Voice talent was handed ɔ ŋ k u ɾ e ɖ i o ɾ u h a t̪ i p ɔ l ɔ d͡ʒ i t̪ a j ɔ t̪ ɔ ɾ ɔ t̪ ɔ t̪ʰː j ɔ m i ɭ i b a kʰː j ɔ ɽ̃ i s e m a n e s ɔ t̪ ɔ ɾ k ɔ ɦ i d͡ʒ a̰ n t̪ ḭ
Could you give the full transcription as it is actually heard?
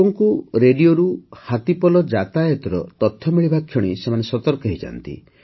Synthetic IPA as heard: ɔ ŋ k u ɾ e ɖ i o ɾ u h a t̪ i p ɔ l ɔ d͡ʒ a t̪ a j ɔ t̪ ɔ ɾ ɔ t̪ ɔ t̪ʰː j ɔ m i ɭ i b a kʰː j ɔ ɽ̃ i s e m a n e s ɔ t̪ ɔ ɾ k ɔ ɦ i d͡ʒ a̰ n t̪ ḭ